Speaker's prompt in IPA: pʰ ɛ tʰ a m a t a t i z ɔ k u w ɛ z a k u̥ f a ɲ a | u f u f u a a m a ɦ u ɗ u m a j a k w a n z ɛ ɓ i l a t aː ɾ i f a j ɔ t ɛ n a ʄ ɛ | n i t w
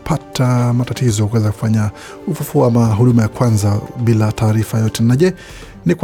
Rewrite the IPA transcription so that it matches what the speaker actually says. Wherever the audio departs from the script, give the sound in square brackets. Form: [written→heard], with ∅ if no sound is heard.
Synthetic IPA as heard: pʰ [ɛ→a] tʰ a m a t a t i z ɔ k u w ɛ z a k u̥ f a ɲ a | u f u f u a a m a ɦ u ɗ u m a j a k w a n z [ɛ→a] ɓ i l a t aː ɾ i f a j ɔ t ɛ n a ʄ ɛ | n i [t→k] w